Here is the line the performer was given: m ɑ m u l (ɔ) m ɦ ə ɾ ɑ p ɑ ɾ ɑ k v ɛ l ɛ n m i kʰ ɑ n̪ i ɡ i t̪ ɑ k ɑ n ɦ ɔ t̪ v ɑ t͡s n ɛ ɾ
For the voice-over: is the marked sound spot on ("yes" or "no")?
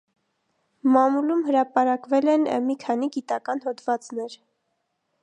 no